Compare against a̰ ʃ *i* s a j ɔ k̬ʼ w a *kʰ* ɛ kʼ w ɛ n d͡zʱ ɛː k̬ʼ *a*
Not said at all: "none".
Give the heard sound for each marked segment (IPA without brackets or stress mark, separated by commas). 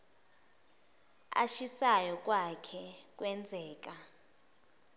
i, kʰ, a